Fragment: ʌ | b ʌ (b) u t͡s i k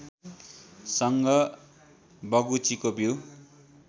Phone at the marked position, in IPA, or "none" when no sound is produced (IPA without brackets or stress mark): ɡ